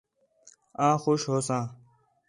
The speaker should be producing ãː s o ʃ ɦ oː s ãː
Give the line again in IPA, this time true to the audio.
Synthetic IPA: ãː x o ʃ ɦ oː s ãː